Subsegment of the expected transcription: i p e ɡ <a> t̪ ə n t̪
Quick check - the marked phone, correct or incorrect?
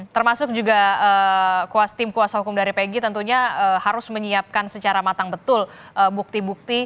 incorrect